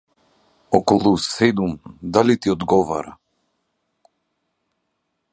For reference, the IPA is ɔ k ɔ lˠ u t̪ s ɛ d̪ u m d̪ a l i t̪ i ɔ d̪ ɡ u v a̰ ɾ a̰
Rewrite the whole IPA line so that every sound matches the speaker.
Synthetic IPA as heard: ɔ k ɔ lˠ u s ɛ d̪ u m d̪ a l i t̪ i ɔ d̪ ɡ ɔ v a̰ ɾ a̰